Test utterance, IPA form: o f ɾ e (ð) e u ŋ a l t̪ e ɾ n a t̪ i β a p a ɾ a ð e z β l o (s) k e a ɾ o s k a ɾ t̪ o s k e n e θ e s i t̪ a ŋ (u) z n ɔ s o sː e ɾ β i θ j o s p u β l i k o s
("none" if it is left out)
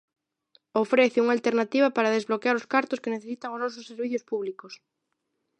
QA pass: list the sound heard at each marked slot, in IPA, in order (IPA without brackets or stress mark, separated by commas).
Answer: θ, none, o